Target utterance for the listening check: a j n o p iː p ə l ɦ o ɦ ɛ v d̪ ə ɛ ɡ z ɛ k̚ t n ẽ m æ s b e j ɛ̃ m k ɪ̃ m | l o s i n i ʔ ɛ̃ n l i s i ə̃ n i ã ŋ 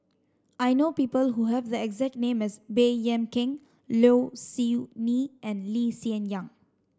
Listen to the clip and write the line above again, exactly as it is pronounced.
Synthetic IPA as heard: a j n o p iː p ə l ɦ u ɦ ɛ v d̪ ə ɛ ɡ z ɛ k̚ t n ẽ m ɛ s b e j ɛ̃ m k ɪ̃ ŋ | l o s i n i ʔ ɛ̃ n l i s i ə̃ n j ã ŋ